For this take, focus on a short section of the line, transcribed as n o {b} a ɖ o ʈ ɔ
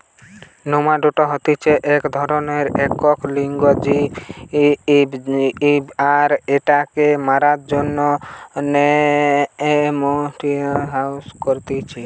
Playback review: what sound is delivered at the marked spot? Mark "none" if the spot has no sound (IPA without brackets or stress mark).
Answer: m